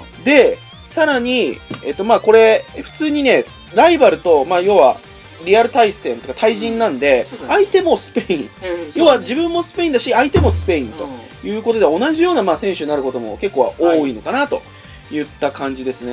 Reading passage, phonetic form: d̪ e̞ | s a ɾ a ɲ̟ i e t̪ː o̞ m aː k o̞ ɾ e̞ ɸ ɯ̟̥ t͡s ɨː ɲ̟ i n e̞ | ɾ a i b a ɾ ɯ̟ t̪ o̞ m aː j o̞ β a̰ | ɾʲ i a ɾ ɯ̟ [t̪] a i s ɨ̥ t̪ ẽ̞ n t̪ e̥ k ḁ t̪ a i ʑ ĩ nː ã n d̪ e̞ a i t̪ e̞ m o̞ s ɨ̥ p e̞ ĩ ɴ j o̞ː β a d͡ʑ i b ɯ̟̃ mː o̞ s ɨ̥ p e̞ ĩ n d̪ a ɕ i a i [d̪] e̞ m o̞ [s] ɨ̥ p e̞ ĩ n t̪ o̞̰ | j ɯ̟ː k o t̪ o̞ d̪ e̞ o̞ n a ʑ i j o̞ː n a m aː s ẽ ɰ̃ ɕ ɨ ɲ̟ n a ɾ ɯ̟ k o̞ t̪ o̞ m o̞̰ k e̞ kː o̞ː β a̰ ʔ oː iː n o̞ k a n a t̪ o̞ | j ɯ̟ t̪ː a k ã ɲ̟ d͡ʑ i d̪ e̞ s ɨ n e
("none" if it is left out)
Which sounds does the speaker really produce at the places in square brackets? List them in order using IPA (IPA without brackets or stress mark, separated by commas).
t̪, t̪, s